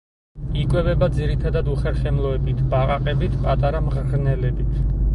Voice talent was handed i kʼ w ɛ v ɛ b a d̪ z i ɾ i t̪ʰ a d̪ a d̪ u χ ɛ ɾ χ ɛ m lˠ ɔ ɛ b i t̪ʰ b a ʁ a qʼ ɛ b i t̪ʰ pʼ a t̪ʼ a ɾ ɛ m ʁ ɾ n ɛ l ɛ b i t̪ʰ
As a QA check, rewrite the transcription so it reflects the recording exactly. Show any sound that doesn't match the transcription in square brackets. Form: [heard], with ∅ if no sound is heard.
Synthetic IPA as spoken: i kʼ w ɛ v ɛ b a d̪ z i ɾ i t̪ʰ a d̪ a d̪ u χ ɛ ɾ χ ɛ m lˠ ɔ ɛ b i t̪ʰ b a ʁ a qʼ ɛ b i t̪ʰ pʼ a t̪ʼ a ɾ [a] m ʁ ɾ n ɛ l ɛ b i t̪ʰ